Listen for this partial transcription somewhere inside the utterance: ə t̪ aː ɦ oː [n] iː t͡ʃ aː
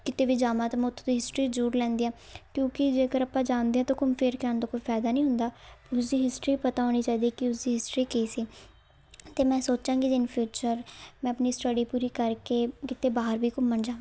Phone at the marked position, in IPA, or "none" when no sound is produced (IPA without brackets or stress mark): n